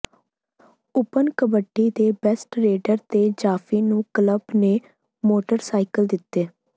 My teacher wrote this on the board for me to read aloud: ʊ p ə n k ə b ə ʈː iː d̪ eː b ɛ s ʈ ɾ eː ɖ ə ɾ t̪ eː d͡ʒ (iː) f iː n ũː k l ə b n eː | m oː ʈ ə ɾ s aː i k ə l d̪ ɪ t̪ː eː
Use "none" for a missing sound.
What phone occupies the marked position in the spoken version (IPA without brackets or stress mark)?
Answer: aː